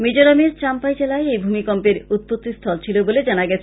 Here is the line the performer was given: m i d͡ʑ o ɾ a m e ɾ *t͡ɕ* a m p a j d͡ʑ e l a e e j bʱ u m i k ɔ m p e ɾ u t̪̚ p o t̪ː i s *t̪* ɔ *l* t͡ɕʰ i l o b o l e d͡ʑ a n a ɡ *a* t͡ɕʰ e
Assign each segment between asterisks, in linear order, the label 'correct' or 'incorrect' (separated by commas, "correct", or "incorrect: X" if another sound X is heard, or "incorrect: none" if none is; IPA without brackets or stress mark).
correct, incorrect: t̪ʰ, correct, incorrect: ɛ